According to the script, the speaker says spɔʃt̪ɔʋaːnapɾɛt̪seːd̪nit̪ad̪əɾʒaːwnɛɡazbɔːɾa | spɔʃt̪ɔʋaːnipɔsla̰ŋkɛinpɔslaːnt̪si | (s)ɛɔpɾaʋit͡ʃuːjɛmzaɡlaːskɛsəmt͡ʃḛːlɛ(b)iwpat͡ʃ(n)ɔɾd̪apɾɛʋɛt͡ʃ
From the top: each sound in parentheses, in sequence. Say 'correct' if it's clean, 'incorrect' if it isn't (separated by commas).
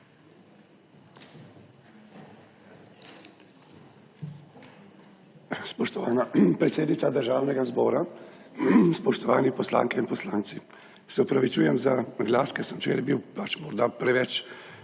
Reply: correct, correct, incorrect